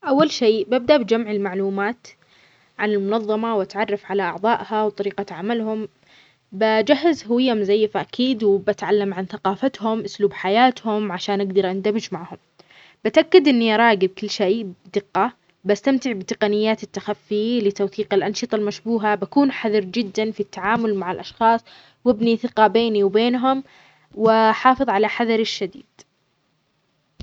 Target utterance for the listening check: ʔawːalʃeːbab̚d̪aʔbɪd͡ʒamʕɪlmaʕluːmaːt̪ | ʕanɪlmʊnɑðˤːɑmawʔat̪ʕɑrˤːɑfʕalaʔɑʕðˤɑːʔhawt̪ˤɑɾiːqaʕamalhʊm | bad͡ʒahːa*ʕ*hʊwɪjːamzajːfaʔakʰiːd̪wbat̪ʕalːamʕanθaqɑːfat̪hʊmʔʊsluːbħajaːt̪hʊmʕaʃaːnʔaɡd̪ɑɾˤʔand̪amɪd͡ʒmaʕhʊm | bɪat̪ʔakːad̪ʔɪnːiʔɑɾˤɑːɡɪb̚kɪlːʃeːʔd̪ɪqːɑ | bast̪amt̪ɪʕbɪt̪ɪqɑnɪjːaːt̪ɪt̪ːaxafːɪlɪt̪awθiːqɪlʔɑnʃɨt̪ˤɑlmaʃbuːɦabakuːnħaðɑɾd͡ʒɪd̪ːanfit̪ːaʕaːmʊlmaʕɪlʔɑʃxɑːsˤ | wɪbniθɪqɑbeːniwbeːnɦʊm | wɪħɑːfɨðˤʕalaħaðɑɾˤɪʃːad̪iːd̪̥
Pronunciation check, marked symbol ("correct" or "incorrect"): incorrect